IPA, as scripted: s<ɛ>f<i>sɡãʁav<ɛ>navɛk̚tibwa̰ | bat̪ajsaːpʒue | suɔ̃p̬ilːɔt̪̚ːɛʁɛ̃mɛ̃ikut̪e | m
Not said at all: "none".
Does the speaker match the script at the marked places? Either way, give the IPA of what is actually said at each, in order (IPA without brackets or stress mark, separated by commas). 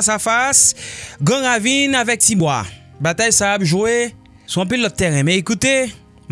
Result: a, a, i